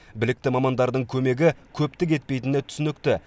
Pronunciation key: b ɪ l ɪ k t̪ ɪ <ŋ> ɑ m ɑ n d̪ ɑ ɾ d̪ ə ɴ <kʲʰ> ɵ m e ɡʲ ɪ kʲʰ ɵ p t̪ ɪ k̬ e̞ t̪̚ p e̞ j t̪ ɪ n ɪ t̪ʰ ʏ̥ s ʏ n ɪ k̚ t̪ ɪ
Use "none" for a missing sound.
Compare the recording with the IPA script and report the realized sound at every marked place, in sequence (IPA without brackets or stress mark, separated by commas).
m, kʲʰ